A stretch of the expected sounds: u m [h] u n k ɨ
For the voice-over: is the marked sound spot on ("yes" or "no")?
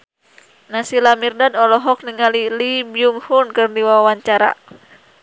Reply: yes